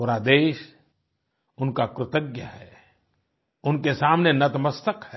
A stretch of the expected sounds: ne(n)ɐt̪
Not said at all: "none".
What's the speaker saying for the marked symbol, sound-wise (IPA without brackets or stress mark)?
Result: n